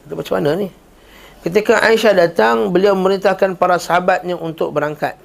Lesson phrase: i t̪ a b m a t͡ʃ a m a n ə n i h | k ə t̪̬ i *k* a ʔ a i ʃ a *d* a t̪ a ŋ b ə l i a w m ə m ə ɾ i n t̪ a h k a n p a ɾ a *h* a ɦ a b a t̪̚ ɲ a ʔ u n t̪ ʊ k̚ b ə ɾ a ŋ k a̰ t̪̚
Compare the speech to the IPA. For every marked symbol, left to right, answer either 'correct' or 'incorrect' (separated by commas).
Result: correct, correct, incorrect